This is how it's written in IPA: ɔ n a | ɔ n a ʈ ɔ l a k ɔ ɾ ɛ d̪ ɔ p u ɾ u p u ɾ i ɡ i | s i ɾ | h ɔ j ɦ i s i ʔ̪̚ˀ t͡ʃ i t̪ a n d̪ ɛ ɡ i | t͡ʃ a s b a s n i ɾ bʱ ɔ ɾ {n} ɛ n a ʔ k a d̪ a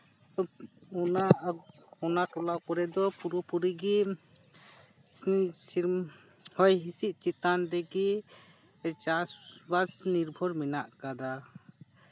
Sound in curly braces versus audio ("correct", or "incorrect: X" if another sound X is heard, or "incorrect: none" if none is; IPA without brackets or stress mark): incorrect: m